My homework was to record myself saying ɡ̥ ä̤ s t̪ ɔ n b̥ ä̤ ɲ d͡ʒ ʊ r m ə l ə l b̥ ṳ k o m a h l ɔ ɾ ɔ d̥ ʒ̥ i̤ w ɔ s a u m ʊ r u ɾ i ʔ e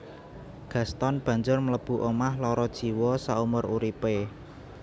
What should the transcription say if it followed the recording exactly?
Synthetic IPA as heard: ɡ̥ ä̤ s t̪ ɔ n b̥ ä̤ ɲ d͡ʒ ʊ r m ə l ə b̥ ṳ ʔ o m a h l ɔ ɾ ɔ d̥ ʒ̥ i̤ w ɔ s a u m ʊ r u ɾ i p e